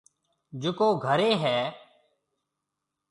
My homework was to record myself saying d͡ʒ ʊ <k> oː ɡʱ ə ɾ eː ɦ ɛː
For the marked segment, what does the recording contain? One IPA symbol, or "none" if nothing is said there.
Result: k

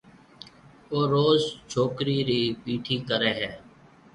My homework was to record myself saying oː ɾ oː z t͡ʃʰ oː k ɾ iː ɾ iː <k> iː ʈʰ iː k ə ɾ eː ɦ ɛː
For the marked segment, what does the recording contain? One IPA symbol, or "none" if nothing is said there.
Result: p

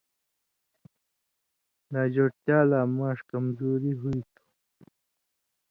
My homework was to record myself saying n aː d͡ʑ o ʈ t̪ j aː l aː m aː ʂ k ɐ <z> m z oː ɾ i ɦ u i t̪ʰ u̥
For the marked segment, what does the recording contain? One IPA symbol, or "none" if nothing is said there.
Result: none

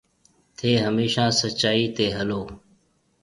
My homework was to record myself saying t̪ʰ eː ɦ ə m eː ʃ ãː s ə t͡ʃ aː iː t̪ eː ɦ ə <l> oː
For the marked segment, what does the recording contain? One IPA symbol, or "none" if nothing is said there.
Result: l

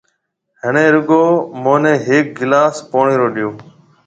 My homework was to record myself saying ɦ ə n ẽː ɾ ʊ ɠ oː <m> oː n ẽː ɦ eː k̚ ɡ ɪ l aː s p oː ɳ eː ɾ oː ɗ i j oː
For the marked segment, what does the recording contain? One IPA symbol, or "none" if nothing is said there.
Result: m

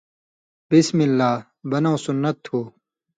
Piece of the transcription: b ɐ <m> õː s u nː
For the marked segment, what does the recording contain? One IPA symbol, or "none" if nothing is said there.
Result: n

